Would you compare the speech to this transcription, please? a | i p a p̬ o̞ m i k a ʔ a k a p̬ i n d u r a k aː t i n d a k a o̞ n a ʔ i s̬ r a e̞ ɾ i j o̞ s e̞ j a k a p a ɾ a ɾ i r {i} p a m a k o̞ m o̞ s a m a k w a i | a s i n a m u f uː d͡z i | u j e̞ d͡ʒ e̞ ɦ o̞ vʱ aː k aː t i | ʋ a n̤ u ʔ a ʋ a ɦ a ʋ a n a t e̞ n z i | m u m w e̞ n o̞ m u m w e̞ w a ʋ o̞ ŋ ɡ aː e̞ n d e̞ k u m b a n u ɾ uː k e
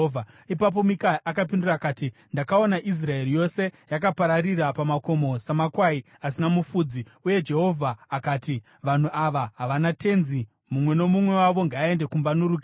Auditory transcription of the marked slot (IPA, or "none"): a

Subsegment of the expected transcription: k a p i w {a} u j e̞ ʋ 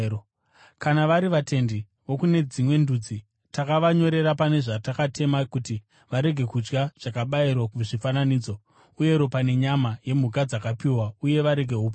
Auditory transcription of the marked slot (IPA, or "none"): a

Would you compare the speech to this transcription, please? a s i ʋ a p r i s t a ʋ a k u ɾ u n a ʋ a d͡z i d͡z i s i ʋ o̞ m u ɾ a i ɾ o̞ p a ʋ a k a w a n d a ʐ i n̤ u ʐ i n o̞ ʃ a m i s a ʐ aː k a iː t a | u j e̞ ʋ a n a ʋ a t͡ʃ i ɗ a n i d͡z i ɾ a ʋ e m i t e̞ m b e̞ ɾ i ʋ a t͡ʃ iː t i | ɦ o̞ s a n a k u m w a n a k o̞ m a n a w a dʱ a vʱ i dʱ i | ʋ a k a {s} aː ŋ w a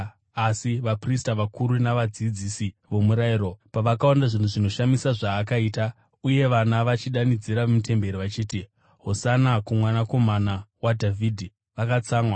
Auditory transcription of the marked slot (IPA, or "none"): t͡s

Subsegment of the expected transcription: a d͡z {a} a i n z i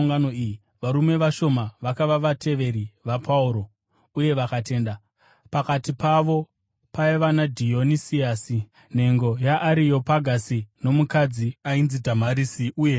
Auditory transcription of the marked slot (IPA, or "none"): i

